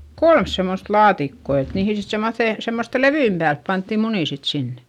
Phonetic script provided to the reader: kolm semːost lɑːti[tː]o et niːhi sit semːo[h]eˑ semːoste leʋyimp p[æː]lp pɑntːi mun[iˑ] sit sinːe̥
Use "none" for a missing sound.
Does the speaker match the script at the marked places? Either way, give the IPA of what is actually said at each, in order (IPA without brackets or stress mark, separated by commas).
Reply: kː, θ, æː, iˑ